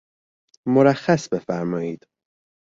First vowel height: mid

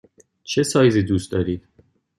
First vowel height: mid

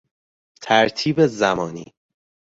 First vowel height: low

